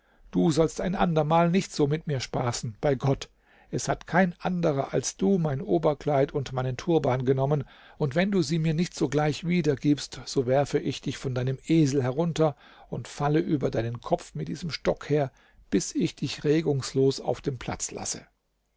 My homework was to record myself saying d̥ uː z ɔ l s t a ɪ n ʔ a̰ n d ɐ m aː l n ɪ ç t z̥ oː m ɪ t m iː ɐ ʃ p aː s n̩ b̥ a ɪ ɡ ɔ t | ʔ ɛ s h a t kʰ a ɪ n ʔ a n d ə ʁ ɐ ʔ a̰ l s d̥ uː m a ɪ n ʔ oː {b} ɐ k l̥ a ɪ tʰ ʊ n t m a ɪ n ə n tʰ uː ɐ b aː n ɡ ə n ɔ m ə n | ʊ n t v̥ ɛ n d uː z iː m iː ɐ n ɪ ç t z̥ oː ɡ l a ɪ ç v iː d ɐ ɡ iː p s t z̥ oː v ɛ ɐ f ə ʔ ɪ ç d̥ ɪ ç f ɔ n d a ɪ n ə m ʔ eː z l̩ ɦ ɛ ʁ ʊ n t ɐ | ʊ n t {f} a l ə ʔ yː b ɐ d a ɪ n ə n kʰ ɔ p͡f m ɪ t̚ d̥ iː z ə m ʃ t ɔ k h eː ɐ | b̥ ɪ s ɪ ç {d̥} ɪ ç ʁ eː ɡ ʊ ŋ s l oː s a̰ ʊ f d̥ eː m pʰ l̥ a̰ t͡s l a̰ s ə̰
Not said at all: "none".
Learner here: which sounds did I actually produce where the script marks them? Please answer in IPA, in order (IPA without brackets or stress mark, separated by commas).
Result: b, f, d̥